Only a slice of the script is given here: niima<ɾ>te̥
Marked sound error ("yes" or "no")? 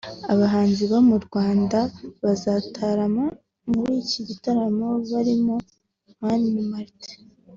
no